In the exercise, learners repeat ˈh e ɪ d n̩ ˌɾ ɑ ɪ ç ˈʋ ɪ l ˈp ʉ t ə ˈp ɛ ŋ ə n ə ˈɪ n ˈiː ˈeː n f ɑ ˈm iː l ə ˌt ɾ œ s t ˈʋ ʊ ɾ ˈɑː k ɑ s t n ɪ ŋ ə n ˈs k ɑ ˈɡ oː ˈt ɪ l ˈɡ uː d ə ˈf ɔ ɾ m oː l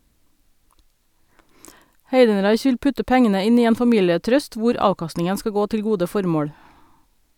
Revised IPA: ˈh e ɪ d n̩ ˌɾ ɑ ɪ ç ˈʋ ɪ l ˈp ʉ t ə ˈp ɛ ŋ ə n ə ˈɪ n ˈiː ˈeː n f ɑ ˈm iː l ə ˌt ɾ œ s t ˈʋ ʊ ɾ ˈɑː k ɑ s t n ɪ ŋ ə n ˈs k ɑ ˈɡ oː ˈt ɪ l ˈɡ uː d ə ˈf ɔ ɾ m oː ɽ

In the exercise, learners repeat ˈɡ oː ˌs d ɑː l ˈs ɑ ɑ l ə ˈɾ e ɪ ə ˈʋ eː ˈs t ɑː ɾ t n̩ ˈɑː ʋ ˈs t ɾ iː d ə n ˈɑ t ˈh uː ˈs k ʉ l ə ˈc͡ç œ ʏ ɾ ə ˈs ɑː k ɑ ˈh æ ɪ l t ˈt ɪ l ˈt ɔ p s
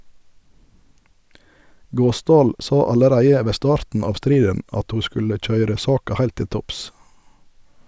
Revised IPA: ˈɡ oː ˌs d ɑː l ˈs ɑ ɑ l ə ˈɾ æ ɪ ə ˈʋ eː ˈs t ɑː ɾ t n̩ ˈɑː ʋ ˈs t ɾ iː d ə n ˈɑ t ˈh uː ˈs k ʉ l ə ˈc͡ç œ ʏ ɾ ə ˈs ɑː k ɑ ˈh æ ɪ l t ˈt ɪ l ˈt ɔ p s

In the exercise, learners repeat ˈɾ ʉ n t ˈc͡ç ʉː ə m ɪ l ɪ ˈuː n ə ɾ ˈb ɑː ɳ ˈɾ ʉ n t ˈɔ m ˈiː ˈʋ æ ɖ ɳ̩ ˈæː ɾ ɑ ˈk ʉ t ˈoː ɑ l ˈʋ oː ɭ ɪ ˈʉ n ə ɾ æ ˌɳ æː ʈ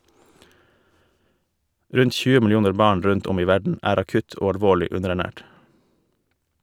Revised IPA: ˈɾ ʉ n t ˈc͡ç ʉː ə m ɪ l ɪ ˈuː n ə ɾ ˈb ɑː ɳ ˈɾ ʉ n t ˈɔ m ˈiː ˈʋ æ ɖ ɳ̩ ˈæː ɾ ɑ ˈk ʉ t ˈoː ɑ l ˈʋ oː ɭ ɪ ˈʉ n ə ɾ æ ˌɳ æː ʈ

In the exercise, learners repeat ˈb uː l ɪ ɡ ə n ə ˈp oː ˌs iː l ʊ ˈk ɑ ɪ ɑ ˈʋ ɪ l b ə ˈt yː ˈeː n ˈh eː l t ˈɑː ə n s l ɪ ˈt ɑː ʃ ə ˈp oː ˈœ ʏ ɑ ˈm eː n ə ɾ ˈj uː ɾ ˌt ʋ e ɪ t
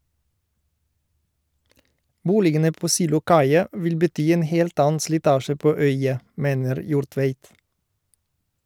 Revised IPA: ˈb uː l ɪ ɡ ə n ə ˈp oː ˌs iː l ʊ ˈk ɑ ɪ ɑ ˈʋ ɪ l b ə ˈt yː ˈeː n ˈh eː l t ˈɑː ə n s l ɪ ˈt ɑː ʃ ə ˈp oː ˈœ ʏ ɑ ˈm eː n ə ɾ ˈj uː ɾ ˌt ʋ e ɪ t

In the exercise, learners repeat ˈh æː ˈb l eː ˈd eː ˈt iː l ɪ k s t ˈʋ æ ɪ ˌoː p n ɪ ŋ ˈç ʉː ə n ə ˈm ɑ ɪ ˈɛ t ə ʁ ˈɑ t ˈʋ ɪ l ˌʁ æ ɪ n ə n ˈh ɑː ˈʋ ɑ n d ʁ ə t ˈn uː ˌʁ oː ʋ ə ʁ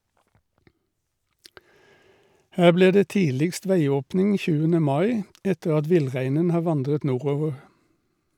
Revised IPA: ˈh æː ˈb l iː ˈd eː ˈt iː l ɪ k s t ˈʋ æ ɪ ˌoː p n ɪ ŋ ˈç ʉː ə n ə ˈm ɑ ɪ ˈɛ t ə ʁ ˈɑ t ˈʋ ɪ l ˌʁ æ ɪ n ə n ˈh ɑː ˈʋ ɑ n d ʁ ə t ˈn uː ˌʁ oː ʋ ə ʁ

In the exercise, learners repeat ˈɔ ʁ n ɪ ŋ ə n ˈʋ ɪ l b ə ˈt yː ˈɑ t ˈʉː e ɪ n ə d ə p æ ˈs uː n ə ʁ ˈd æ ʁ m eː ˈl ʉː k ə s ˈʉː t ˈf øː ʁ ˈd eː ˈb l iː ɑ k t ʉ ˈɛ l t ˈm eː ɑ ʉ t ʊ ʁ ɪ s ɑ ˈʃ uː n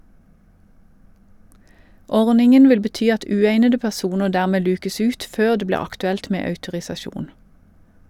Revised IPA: ˈɔ ʁ n ɪ ŋ ə n ˈʋ ɪ l b ə ˈt yː ˈɑ t ˈʉː e ɪ n ə d ə p æ ˈs uː n ə ʁ ˈd æː ʁ m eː ˈl ʉː k ə s ˈʉː t ˈf øː ʁ ˈd eː ˈb l iː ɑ k t ʉ ˈɛ l t ˈm eː ɑ ʉ t ʊ ʁ ɪ s ɑ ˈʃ uː n

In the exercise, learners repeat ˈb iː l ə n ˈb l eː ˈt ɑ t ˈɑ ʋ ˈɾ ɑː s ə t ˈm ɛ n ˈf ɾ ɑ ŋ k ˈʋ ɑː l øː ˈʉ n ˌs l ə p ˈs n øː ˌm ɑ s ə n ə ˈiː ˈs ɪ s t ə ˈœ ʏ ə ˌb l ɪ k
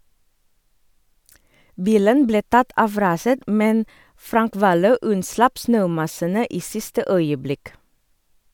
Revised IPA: ˈb iː l ə n ˈb l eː ˈt ɑ t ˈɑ ʋ ˈɾ ɑː s ə t ˈm ɛ n ˈf ɾ ɑ ŋ k ˈʋ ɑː l øː ˈʉ n ˌs l ɑ p ˈs n øː ˌm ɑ s ə n ə ˈiː ˈs ɪ s t ə ˈœ ʏ ə ˌb l ɪ k

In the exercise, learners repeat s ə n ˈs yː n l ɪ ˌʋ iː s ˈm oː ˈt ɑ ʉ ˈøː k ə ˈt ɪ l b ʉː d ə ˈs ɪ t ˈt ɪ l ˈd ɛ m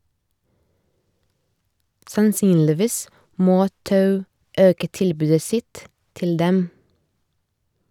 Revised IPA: s ɑ n ˈs yː n l ɪ ˌʋ iː s ˈm oː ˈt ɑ ʉ ˈøː k ə ˈt ɪ l b ʉː d ə ˈs ɪ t ˈt ɪ l ˈd ɛ m

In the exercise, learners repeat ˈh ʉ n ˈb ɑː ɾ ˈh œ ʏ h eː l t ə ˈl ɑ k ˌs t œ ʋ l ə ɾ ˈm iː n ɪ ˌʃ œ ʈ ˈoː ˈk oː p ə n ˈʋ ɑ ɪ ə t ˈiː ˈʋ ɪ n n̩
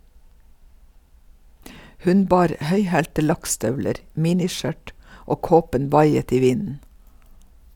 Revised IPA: ˈh ʉ n ˈb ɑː ɾ ˈh œ ʏ h æː l t ə ˈl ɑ k ˌs t œ ʋ l ə ɾ ˈm iː n ɪ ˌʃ œ ʈ ˈoː ˈk oː p ə n ˈʋ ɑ ɪ ə t ˈiː ˈʋ ɪ n n̩

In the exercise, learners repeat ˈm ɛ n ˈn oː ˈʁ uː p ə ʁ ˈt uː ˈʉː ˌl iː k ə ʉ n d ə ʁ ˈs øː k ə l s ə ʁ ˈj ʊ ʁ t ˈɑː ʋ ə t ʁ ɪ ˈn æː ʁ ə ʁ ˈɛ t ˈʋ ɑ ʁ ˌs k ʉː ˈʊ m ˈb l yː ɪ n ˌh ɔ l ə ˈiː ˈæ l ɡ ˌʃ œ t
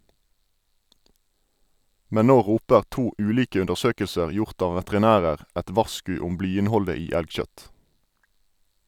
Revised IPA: ˈm ɛ n ˈn oː ˈʁ uː p ə ʁ ˈt uː ˈʉː ˌl iː k ə ʉ n d ə ʁ ˈs øː k ə l s ə ʁ ˈj ʊ ʁ t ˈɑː ʋ ə t ʁ ɪ ˈn æː ʁ ə ʁ ˈɛ t ˈʋ ɑ ʁ ˌs k ʉː ˈʊ m ˈb l yː ɪ n ˌh ɔ l ə ˈiː ˈæ l ɡ ˌʃ œ t

